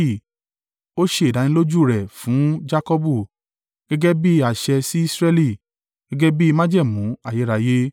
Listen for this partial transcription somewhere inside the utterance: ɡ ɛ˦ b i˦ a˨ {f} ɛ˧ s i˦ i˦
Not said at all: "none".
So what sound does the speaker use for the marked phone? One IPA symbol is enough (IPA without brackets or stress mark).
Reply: ʃ